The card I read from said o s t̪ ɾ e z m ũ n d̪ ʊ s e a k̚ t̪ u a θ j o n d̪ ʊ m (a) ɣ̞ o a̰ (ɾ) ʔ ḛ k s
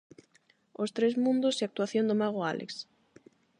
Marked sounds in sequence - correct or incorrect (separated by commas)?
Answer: correct, incorrect